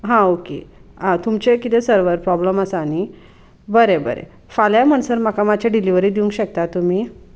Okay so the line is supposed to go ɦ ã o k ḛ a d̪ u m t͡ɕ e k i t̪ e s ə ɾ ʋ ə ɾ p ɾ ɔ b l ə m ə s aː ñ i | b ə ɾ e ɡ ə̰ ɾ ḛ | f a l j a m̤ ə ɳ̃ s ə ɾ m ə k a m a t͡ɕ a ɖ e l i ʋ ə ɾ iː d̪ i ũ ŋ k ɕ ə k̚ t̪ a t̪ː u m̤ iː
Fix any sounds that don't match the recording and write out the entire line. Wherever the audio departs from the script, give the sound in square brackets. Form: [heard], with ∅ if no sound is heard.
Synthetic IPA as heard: ɦ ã o k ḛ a [t̪] u m t͡ɕ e k i t̪ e s ə ɾ ʋ ə ɾ p ɾ ɔ b l ə m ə s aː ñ i | b ə ɾ e [b] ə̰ ɾ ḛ | f a l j a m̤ ə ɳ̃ s ə ɾ m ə k a m a t͡ɕ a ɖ [i] l i ʋ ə ɾ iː d̪ i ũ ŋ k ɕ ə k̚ t̪ a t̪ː u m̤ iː